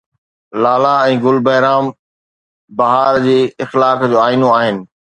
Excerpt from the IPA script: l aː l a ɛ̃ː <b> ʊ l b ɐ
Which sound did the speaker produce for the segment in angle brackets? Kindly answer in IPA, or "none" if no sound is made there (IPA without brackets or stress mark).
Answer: ɡ